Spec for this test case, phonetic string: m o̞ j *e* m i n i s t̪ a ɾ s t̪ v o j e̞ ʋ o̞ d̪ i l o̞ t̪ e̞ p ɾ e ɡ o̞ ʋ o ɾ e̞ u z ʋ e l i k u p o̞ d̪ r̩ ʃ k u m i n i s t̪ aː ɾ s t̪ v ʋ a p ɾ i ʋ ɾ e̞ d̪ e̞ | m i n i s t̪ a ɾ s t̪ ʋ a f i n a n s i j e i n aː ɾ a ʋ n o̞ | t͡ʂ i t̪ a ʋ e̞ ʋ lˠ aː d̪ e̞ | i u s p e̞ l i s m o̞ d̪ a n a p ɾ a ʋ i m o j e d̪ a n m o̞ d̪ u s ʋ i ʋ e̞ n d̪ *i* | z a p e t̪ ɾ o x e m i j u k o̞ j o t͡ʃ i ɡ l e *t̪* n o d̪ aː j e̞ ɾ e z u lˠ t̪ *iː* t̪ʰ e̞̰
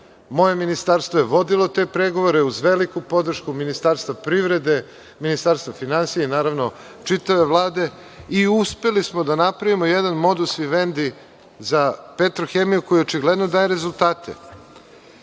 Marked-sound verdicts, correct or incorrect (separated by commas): correct, correct, incorrect, incorrect